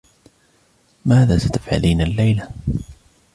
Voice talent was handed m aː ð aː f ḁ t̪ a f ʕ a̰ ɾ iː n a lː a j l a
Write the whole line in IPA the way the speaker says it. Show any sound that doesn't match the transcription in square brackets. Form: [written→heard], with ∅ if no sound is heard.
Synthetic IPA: m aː ð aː [f→s] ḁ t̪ a f ʕ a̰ [ɾ→l] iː n a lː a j l a